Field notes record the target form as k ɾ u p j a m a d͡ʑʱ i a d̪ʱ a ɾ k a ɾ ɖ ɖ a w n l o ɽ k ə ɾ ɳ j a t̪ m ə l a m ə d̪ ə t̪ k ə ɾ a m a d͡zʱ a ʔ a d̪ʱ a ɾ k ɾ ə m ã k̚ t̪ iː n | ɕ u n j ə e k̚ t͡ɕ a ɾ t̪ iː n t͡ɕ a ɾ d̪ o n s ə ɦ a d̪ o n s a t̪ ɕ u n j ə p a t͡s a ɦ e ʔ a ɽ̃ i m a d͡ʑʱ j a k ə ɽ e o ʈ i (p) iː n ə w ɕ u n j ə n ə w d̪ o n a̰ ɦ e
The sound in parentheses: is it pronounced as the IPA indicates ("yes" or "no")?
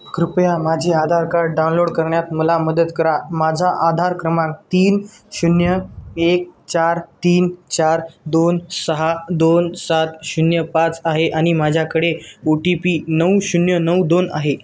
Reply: yes